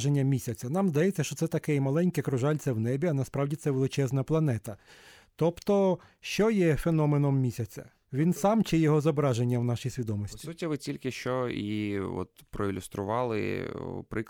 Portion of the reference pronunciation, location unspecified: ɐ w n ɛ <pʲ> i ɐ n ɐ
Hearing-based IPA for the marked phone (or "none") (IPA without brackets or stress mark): bʲ